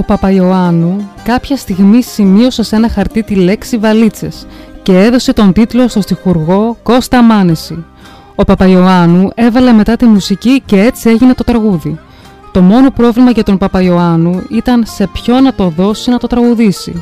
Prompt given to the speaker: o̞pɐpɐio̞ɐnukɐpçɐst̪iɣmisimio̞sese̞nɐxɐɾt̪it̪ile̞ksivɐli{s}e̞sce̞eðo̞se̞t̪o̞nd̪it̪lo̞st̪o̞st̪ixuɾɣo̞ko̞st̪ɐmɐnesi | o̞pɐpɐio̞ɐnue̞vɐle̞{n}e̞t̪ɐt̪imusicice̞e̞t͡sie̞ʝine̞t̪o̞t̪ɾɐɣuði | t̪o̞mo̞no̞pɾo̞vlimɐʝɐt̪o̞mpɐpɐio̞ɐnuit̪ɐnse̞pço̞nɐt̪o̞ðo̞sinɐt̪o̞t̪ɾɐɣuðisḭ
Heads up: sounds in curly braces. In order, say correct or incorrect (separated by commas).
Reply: incorrect, incorrect